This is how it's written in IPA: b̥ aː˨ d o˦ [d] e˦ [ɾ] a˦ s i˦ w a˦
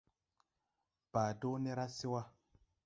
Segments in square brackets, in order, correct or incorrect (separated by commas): incorrect, correct